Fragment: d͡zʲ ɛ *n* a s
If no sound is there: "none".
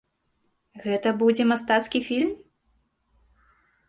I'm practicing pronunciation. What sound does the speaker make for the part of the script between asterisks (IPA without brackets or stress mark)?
m